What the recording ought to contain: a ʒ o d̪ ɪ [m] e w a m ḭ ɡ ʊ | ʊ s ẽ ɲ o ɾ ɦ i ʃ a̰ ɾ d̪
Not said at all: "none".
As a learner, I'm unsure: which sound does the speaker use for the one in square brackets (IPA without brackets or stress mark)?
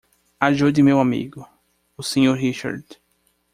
m